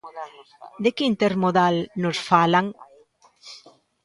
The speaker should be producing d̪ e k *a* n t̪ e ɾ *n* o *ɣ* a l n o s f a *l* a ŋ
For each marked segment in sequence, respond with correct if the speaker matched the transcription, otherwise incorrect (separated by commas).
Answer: incorrect, incorrect, incorrect, correct